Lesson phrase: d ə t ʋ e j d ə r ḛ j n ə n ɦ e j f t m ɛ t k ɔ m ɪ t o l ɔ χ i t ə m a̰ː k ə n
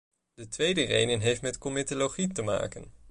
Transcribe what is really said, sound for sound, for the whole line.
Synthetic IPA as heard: d ə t ʋ e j d ə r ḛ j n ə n ɦ e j f t m ɛ t k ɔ m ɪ t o l o χ i t ə m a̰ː k ə n